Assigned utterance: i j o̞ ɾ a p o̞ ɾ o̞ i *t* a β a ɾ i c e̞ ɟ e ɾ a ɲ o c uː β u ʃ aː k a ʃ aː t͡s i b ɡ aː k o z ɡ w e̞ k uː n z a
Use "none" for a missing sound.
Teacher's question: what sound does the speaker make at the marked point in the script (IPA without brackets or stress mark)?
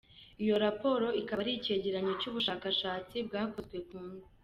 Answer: k